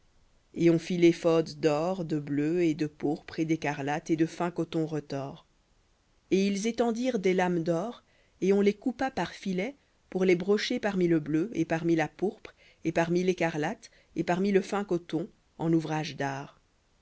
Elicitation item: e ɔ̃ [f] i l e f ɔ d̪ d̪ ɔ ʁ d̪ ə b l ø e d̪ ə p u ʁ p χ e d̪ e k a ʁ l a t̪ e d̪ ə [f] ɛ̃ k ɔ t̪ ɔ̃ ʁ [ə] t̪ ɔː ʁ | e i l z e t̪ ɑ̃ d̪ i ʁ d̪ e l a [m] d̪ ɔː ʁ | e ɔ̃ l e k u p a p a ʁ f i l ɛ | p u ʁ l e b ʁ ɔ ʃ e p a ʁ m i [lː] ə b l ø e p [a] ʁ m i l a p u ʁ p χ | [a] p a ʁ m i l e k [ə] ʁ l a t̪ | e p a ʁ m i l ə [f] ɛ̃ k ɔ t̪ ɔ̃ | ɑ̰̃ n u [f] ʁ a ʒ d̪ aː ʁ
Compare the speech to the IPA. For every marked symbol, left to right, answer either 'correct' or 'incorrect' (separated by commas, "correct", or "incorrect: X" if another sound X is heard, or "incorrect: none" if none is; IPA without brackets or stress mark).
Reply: correct, correct, correct, correct, incorrect: l, correct, incorrect: e, incorrect: a, correct, incorrect: v